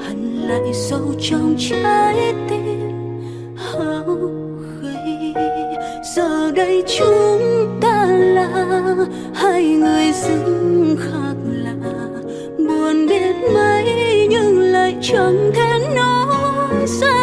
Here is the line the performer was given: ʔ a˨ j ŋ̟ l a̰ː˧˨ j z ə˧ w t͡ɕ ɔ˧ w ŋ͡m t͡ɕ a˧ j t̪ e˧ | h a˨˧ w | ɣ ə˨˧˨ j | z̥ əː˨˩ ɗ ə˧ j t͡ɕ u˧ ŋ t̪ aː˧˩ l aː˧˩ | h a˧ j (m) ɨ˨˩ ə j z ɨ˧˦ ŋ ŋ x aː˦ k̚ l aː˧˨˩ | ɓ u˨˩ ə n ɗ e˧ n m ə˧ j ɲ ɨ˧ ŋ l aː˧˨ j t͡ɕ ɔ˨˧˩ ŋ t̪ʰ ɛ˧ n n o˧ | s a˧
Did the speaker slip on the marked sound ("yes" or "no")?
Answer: yes